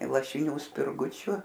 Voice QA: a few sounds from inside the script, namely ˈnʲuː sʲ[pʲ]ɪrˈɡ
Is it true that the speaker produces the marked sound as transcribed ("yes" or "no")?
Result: yes